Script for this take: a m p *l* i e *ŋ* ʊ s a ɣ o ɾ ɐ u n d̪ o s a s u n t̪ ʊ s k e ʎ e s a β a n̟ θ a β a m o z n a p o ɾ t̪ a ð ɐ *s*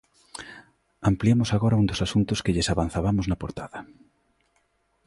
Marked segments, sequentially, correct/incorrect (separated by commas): correct, incorrect, incorrect